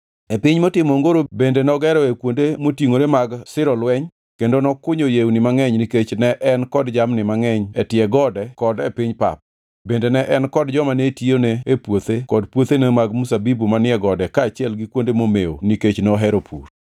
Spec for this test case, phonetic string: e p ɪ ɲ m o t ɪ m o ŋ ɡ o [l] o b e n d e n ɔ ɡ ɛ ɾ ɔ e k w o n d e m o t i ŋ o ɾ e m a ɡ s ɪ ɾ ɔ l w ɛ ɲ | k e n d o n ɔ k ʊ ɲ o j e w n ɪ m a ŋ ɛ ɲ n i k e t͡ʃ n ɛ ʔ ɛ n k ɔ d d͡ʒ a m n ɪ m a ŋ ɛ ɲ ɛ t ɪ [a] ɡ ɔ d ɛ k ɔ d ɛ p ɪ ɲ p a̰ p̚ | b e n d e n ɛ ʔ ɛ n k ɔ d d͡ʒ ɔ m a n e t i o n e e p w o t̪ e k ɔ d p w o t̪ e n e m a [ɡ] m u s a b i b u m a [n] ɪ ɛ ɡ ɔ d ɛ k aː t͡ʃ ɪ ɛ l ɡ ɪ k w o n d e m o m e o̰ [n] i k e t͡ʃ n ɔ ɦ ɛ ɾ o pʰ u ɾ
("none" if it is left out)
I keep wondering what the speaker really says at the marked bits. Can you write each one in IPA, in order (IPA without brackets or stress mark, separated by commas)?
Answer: ɾ, ɛ, ɡ, n, n